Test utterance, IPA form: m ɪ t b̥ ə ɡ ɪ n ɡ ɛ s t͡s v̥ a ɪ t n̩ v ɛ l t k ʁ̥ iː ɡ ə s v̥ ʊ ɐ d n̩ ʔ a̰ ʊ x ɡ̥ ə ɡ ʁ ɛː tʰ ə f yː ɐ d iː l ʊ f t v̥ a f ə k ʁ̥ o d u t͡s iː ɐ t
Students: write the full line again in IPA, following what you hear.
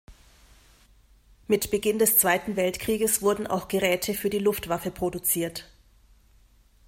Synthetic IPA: m ɪ t b̥ ə ɡ ɪ n d ɛ s t͡s v̥ a ɪ t n̩ v ɛ l t k ʁ̥ iː ɡ ə s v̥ ʊ ɐ d n̩ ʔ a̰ ʊ x ɡ̥ ə ʁ ɛː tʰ ə f yː ɐ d iː l ʊ f t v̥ a f ə p ʁ̥ o d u t͡s iː ɐ t

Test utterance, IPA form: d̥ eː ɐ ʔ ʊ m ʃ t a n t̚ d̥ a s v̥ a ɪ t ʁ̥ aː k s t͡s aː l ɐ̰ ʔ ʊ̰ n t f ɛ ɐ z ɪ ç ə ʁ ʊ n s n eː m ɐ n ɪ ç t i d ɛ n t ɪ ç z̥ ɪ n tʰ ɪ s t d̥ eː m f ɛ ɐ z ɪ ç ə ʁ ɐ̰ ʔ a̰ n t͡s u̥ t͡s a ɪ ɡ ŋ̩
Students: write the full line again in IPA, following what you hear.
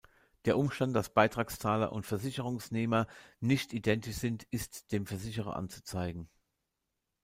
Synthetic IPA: d̥ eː ɐ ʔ ʊ m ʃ t a n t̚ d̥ a s b̥ a ɪ t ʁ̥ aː k s t͡s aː l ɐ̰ ʔ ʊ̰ n t f ɛ ɐ z ɪ ç ə ʁ ʊ ŋ s n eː m ɐ n ɪ ç t i d ɛ n t ɪ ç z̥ ɪ n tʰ ɪ s t d̥ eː m f ɛ ɐ z ɪ ç ə ʁ ɐ̰ ʔ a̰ n t͡s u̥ t͡s a ɪ ɡ ŋ̩

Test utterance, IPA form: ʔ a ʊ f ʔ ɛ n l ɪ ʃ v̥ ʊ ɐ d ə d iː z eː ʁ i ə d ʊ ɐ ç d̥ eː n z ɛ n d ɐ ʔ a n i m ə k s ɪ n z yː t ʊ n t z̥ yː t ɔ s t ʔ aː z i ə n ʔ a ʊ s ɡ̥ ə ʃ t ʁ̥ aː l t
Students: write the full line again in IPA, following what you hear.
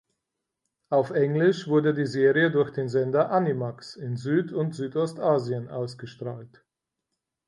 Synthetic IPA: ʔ a ʊ f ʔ ɛ ŋ l ɪ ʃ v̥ ʊ ɐ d ə d iː z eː ʁ i ə d ʊ ɐ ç d̥ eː n z ɛ n d ɐ ʔ a n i m a k s ɪ n z yː t ʊ n t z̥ yː t ɔ s t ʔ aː z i ə n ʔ a ʊ s ɡ̥ ə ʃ t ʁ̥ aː l t

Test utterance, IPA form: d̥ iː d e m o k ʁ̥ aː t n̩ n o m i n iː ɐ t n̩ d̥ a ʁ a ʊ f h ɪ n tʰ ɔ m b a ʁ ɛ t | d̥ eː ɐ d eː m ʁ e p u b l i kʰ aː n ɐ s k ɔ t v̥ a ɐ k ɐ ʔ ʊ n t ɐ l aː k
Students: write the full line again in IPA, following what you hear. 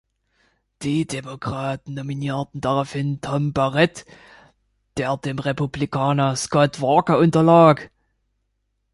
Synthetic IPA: d̥ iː d e m o k ʁ̥ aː t n̩ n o m i n iː ɐ t n̩ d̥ a ʁ a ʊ f h ɪ n tʰ ɔ m b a ʁ ɛ t | d̥ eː ɐ d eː m ʁ e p u b l i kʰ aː n ɐ s k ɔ t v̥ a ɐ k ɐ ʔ ʊ n t ɐ l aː k

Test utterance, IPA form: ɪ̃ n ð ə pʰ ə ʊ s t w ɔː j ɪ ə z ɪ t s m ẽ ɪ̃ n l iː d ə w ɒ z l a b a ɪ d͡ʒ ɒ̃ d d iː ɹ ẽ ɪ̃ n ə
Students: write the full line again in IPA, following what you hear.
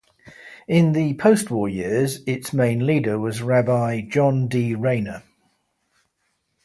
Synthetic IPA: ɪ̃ n ð ə pʰ ə ʊ s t w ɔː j ɪ ə z ɪ t s m ẽ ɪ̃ n l iː d ə w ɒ z ɹ a b a ɪ d͡ʒ ɒ̃ n d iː ɹ ẽ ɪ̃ n ə

